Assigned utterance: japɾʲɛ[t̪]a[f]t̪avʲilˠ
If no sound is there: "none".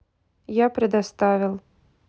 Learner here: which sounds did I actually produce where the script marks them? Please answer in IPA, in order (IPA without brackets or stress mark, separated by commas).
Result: d̪, s